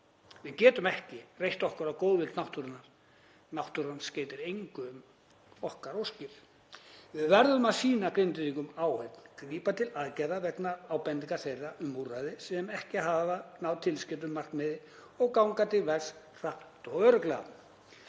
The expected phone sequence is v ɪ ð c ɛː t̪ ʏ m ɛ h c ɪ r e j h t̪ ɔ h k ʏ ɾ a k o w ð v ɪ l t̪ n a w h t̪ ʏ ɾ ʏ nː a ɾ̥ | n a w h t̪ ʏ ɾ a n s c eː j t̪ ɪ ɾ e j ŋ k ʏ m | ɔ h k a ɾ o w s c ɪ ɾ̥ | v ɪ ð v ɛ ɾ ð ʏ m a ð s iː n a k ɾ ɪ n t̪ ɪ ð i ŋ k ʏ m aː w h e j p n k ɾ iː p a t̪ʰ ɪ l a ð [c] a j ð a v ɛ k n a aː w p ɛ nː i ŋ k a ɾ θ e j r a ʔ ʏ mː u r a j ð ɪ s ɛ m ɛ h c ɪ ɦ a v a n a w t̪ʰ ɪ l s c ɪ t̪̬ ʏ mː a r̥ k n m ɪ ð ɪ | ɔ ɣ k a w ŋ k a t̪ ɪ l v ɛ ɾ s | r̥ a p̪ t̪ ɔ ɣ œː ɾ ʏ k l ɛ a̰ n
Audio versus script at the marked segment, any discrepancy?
no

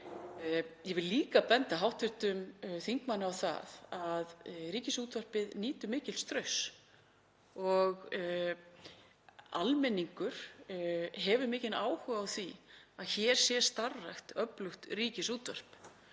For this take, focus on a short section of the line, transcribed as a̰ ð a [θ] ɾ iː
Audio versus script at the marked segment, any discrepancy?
yes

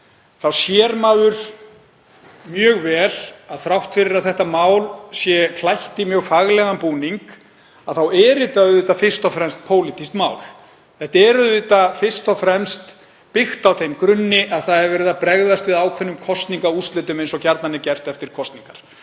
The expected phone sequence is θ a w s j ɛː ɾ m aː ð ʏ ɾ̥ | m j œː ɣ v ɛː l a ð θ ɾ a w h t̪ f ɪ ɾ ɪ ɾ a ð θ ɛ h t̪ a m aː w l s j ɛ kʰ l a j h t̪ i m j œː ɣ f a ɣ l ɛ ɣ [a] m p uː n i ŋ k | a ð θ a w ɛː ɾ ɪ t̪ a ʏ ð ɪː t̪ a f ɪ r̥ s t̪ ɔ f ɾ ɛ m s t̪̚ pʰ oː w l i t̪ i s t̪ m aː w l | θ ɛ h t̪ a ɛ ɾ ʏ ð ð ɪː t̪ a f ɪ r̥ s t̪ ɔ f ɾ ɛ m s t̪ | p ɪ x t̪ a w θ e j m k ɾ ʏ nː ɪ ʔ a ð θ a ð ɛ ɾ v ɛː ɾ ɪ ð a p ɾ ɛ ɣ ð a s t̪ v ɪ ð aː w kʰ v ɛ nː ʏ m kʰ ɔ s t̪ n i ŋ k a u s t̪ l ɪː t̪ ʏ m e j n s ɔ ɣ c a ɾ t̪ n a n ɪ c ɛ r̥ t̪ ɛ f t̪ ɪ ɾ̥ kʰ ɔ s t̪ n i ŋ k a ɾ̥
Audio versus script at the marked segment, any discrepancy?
no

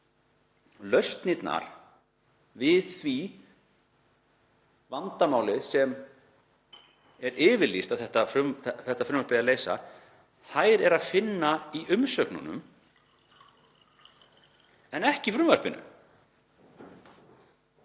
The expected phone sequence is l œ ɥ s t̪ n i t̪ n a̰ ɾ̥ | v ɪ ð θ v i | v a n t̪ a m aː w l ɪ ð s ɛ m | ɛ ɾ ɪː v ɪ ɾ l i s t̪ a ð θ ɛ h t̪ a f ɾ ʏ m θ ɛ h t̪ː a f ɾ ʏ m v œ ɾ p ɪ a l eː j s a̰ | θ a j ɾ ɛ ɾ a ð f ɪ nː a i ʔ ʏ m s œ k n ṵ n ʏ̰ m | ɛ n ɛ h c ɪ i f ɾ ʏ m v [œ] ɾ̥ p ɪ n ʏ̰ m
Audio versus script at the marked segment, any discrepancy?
no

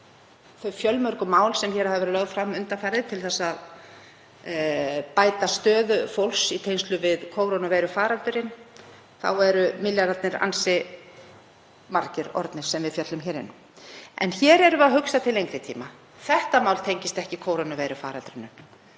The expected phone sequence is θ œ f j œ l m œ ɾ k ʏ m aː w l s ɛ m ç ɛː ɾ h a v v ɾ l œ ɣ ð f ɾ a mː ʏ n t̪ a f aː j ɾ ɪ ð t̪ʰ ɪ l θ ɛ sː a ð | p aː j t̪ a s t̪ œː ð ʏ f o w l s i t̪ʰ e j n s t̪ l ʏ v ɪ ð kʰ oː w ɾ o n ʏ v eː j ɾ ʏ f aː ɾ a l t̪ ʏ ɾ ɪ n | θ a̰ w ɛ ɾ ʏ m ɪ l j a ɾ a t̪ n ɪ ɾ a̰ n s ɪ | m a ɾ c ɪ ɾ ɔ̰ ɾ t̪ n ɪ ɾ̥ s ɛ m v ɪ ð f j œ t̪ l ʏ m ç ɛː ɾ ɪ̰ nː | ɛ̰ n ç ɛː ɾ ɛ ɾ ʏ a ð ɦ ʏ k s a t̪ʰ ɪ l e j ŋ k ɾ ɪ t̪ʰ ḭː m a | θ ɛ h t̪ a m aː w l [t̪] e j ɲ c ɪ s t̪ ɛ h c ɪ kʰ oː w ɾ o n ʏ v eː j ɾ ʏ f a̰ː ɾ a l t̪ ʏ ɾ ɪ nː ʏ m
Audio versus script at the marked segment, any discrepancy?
yes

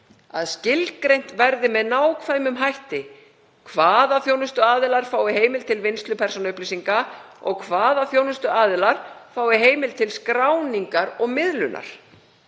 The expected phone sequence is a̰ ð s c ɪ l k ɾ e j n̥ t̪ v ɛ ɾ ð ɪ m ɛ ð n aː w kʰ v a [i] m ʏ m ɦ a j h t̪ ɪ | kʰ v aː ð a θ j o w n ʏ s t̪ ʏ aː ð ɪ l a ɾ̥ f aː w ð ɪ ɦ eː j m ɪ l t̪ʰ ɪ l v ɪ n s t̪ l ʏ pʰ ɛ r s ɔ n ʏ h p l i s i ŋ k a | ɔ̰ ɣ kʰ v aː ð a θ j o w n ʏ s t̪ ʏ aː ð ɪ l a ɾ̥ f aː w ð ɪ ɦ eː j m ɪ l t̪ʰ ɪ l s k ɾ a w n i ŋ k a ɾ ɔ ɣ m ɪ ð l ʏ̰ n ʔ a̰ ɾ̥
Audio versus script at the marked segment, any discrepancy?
yes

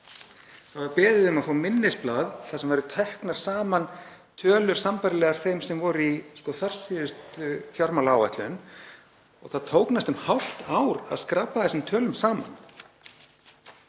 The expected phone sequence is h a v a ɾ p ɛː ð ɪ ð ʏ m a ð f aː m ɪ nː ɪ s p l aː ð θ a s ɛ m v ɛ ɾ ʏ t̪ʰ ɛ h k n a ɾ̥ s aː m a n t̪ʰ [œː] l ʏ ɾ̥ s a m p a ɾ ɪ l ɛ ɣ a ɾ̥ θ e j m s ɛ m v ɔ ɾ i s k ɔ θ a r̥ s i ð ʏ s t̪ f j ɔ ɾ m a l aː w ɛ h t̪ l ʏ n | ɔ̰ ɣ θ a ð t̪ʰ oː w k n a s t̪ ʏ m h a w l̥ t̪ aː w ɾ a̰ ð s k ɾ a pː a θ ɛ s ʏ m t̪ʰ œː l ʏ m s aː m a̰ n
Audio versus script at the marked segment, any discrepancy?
no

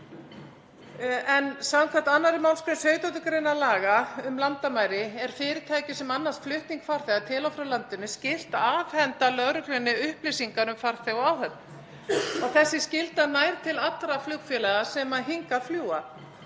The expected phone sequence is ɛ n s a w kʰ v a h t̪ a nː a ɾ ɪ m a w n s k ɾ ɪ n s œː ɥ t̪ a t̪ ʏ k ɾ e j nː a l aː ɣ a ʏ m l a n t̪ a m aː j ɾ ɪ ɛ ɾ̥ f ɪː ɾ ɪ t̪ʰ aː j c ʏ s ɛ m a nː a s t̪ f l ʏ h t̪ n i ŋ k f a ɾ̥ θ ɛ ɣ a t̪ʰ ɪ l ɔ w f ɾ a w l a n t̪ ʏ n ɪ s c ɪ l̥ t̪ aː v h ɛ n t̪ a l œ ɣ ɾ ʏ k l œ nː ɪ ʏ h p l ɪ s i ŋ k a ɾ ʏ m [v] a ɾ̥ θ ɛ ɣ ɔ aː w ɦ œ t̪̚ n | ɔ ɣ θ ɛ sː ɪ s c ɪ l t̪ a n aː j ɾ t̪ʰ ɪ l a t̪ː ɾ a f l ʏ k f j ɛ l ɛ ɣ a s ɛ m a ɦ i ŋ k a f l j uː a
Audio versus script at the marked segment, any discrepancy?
yes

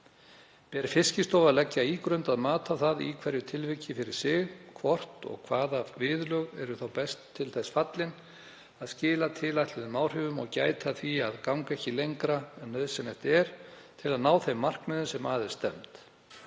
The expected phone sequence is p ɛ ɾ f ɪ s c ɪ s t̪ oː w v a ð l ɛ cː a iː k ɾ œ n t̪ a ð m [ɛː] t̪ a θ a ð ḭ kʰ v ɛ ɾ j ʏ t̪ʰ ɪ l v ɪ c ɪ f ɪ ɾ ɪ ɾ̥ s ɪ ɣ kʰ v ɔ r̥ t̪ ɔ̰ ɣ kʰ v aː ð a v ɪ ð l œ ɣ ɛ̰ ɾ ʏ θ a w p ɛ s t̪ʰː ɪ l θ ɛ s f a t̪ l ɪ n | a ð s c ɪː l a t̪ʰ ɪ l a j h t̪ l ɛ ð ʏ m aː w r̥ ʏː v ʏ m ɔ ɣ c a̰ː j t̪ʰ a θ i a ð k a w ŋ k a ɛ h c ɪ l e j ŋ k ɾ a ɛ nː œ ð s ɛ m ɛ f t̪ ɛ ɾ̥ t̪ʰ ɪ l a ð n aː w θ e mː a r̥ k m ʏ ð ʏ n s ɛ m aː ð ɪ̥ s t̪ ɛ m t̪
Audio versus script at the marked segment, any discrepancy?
yes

